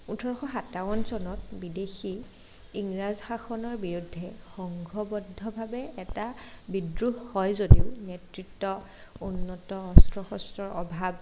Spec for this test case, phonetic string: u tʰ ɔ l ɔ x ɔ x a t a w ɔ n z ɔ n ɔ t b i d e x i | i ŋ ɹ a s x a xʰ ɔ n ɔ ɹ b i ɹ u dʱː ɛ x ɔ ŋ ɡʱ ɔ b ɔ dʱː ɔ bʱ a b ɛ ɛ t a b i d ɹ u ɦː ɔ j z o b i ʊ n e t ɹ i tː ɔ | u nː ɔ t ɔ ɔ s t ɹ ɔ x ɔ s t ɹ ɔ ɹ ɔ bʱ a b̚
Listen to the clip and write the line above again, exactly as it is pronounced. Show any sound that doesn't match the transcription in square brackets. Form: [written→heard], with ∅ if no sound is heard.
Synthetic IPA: u tʰ ɔ [l→ɹ] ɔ x ɔ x a t a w ɔ n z ɔ n ɔ t b i d e x i | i ŋ ɹ a [s→z] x a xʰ ɔ n ɔ ɹ b i ɹ u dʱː ɛ x ɔ ŋ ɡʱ ɔ b ɔ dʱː ɔ bʱ a b ɛ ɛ t a b i d ɹ u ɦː ɔ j z o [b→d] i ʊ n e t ɹ i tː ɔ | u nː ɔ t ɔ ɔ s t ɹ ɔ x ɔ s t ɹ ɔ ɹ ɔ bʱ a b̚